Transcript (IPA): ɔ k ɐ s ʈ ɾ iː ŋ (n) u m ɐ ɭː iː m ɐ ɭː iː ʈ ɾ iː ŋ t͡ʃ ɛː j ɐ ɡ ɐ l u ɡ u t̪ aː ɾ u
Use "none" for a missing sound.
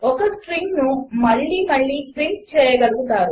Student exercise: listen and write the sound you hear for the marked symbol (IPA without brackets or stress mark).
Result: n